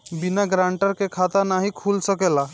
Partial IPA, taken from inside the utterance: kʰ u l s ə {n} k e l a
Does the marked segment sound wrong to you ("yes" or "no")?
yes